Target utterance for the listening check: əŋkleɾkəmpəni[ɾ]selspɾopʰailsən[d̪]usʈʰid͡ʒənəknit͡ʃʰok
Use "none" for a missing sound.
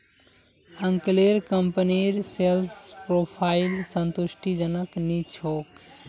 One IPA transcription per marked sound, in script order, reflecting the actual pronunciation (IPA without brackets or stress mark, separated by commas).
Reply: ɾ, t̪